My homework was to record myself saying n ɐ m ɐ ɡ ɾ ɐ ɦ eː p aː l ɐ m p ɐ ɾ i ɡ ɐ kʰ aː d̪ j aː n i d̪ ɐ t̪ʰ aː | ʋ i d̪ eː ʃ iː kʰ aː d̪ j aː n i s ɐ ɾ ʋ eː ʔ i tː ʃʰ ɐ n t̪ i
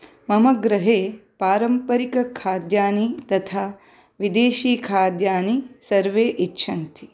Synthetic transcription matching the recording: m ɐ m ɐ ɡ ɾ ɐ ɦ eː p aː ɾ ɐ m p ɐ ɾ i k ɐ kʰ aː d̪ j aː n i t̪ ɐ t̪ʰ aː | ʋ i d̪ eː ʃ iː kʰ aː d̪ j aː n i s ɐ ɾ ʋ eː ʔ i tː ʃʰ ɐ n t̪ i

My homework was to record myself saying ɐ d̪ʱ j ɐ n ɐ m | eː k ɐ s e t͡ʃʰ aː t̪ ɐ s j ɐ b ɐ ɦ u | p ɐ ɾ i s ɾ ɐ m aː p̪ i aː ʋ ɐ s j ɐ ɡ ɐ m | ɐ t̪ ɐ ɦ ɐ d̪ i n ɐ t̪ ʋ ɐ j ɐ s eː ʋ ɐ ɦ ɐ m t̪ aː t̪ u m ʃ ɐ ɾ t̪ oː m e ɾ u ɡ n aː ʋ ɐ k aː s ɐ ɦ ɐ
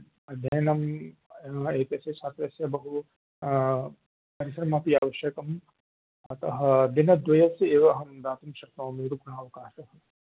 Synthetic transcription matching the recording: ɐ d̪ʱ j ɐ n ɐ m | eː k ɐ s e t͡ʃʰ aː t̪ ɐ s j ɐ b ɐ ɦ u | p ɐ ɾ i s ɾ ɐ m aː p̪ i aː ʋ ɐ ʃ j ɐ k ɐ m | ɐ t̪ ɐ ɦ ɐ d̪ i n ɐ d̪ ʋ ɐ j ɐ s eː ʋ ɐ ɦ ɐ m d̪ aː t̪ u m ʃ ɐ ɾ t̪ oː m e ɾ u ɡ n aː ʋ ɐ k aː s ɐ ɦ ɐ

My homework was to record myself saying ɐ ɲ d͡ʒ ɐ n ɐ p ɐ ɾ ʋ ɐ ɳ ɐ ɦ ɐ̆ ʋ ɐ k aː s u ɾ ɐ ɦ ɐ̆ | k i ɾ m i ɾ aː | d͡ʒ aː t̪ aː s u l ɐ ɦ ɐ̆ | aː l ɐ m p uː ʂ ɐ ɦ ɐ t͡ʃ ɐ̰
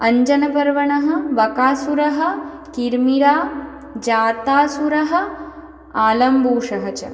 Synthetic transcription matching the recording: ɐ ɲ d͡ʒ ɐ n ɐ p ɐ ɾ ʋ ɐ ɳ ɐ ɦ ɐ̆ ʋ ɐ k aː s u ɾ ɐ ɦ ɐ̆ | k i ɾ m i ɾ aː | d͡ʒ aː t̪ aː s u ɾ ɐ ɦ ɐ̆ | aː l ɐ m b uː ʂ ɐ ɦ ɐ t͡ʃ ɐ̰

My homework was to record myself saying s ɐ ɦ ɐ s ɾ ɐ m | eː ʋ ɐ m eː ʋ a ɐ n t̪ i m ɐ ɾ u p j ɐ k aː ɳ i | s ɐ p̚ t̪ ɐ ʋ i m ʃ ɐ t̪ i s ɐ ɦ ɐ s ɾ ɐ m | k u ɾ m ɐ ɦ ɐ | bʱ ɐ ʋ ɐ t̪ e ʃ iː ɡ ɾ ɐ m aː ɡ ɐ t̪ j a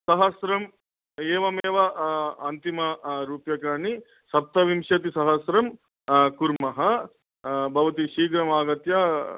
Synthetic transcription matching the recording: s ɐ ɦ ɐ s ɾ ɐ m | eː ʋ ɐ m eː ʋ ɐ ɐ n t̪ i m ɐ ɾ uː p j ɐ k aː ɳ i | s ɐ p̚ t̪ ɐ ʋ i m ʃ ɐ t̪ i s ɐ ɦ ɐ s ɾ ɐ m | k u ɾ m ɐ ɦ ɐ | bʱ ɐ ʋ ɐ t̪ i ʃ iː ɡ ɾ ɐ m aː ɡ ɐ t̪ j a

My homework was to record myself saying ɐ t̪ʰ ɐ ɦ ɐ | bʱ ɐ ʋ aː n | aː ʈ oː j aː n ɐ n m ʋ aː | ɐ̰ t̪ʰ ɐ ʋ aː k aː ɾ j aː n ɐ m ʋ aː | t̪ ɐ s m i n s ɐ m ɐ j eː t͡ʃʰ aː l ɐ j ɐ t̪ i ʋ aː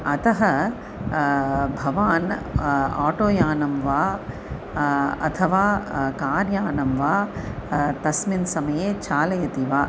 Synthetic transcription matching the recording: ɐ t̪ ɐ ɦ ɐ | bʱ ɐ ʋ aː n | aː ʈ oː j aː n ɐ m ʋ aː | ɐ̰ t̪ʰ ɐ ʋ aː k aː ɾ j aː n ɐ m ʋ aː | t̪ ɐ s m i n s ɐ m ɐ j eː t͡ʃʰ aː l ɐ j ɐ t̪ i ʋ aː

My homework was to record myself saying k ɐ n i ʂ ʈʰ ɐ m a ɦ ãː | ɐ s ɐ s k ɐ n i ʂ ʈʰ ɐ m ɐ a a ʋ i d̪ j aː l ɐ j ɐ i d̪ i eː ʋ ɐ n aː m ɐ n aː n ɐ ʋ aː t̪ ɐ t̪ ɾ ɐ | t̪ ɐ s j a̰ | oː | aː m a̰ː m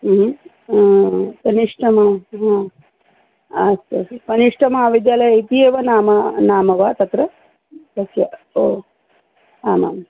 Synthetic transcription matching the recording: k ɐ n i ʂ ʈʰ ɐ m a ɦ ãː | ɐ s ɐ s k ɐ n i ʂ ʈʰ ɐ m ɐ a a ʋ i d̪ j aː l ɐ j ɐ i t̪ i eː ʋ ɐ n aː m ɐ n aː m ɐ ʋ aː t̪ ɐ t̪ ɾ ɐ | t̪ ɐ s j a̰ | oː | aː m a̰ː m

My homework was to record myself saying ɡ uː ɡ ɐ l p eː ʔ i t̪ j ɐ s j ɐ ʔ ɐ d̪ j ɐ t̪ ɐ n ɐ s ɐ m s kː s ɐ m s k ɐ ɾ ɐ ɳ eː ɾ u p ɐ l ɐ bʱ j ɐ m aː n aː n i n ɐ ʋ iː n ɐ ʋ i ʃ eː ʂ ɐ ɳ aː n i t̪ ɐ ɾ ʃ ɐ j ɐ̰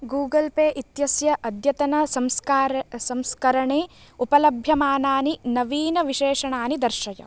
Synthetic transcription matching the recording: ɡ uː ɡ ɐ l p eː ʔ i t̪ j ɐ s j ɐ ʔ ɐ d̪ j ɐ t̪ ɐ n ɐ s ɐ m s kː s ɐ m s k ɐ ɾ ɐ ɳ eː u p ɐ l ɐ bʱ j ɐ m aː n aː n i n ɐ ʋ iː n ɐ ʋ i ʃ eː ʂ ɐ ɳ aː n i d̪ ɐ ɾ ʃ ɐ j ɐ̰

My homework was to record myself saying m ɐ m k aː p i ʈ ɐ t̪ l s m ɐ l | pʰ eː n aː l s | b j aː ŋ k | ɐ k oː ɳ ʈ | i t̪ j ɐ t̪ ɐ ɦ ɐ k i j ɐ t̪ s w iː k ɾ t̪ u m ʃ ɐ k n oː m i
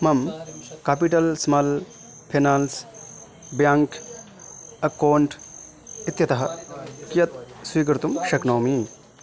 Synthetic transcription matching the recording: m ɐ m k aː p i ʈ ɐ l s m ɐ l | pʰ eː n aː l s | b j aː ŋ k | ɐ k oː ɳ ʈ | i t̪ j ɐ t̪ ɐ ɦ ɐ k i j ɐ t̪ s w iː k ɾ t̪ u m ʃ ɐ k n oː m i

